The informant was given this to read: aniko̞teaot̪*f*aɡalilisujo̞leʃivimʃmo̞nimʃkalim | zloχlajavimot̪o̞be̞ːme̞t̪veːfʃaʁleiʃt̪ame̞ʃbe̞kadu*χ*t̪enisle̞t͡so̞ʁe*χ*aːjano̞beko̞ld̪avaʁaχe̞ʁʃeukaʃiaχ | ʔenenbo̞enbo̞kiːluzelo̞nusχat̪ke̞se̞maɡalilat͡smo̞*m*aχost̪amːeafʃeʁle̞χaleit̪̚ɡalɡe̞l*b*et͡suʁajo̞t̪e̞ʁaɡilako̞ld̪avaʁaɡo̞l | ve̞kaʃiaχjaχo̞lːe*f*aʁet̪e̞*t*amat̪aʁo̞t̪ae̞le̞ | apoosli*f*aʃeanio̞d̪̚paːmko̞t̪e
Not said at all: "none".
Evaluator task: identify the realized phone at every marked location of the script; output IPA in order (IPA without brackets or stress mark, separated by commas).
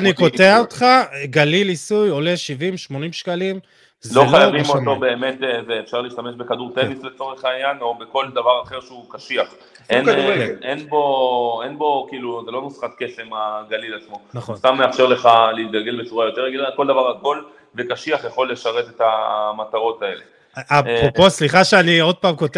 χ, ʁ, χ, n, b, ʃ, t, χ